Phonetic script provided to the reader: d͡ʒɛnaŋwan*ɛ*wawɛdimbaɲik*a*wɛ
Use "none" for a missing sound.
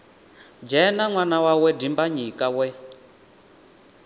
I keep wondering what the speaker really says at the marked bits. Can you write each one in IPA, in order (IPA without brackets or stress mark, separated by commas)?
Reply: a, a